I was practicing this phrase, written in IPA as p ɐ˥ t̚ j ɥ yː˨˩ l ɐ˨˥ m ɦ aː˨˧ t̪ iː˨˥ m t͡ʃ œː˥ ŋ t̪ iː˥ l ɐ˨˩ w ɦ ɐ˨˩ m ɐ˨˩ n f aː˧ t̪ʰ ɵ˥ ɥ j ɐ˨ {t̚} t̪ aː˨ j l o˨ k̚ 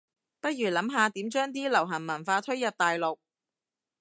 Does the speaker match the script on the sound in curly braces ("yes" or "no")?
no